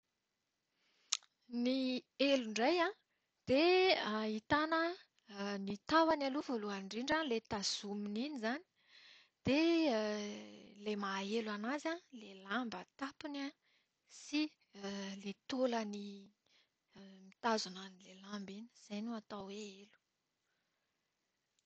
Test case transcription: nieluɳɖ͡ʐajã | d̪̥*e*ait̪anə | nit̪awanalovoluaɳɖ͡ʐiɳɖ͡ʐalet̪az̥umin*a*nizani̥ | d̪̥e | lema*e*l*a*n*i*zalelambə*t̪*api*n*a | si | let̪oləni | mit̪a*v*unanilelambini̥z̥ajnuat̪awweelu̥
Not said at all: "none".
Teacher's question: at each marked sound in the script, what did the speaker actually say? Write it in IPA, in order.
e, i, e, a, a, t̪, n, z

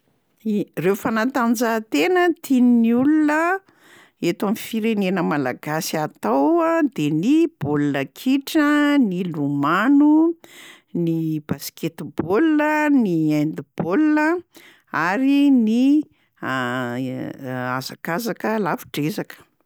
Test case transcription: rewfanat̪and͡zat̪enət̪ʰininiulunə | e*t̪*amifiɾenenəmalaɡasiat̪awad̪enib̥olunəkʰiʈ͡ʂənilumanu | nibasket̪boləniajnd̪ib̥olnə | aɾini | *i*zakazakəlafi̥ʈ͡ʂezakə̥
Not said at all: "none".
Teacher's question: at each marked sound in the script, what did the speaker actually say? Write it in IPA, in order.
t̪, a

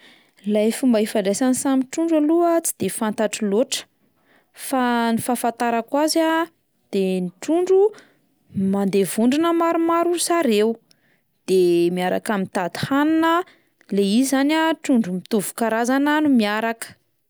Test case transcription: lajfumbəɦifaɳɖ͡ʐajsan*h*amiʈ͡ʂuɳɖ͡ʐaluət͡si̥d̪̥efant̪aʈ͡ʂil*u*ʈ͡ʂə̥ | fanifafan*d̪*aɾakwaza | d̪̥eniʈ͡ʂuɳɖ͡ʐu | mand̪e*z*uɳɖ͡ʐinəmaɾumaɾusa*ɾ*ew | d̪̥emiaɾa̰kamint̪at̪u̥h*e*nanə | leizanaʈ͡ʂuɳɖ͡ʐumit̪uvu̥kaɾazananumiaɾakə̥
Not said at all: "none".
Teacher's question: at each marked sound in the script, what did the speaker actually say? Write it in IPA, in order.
s, o, t̪, v, ɾ, a

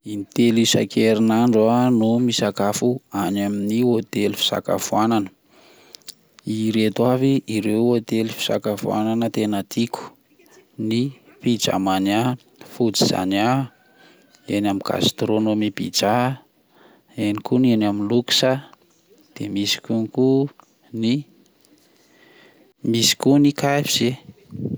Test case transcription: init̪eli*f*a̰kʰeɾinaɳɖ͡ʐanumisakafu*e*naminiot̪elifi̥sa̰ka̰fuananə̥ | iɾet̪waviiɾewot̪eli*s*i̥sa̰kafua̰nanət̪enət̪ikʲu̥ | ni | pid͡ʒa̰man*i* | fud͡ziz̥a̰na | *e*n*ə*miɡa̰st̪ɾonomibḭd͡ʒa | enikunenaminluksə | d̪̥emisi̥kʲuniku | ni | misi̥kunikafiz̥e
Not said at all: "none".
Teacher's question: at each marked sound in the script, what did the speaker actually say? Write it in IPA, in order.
s, a, f, a, e, a

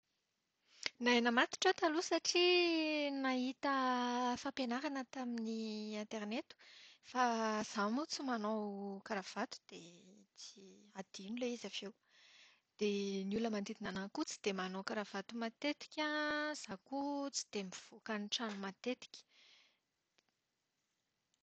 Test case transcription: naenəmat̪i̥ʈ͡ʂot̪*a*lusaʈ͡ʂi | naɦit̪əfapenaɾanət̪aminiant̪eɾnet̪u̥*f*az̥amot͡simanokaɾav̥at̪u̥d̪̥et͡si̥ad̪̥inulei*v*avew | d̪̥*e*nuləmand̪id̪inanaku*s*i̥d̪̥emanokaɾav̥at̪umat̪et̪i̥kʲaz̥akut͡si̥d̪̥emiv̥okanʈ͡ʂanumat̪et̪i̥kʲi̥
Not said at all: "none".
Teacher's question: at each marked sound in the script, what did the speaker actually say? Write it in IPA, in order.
a, f, z, e, t͡s

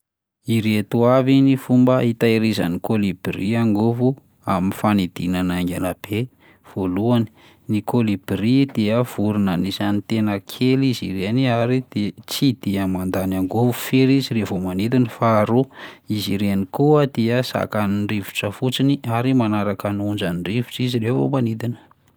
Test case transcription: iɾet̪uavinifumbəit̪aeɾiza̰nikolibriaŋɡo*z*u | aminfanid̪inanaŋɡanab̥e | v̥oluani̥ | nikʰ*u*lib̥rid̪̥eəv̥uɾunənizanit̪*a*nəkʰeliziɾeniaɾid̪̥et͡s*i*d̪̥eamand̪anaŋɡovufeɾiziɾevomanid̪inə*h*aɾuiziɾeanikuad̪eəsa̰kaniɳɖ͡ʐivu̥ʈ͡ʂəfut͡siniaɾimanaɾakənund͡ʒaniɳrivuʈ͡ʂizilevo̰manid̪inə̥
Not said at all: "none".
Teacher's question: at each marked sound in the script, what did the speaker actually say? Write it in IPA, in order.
v, o, e, i, f

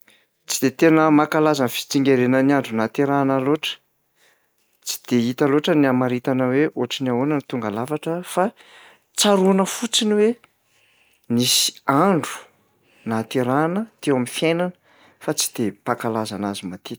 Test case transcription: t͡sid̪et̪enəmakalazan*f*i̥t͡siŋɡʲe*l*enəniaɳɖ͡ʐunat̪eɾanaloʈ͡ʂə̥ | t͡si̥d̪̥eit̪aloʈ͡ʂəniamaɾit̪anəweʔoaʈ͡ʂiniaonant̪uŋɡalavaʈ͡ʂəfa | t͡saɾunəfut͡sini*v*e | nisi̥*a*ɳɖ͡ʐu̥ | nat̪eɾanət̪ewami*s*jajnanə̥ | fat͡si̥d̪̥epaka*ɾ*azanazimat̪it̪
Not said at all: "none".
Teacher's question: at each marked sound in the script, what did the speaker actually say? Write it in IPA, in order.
f, ɾ, w, a, f, l

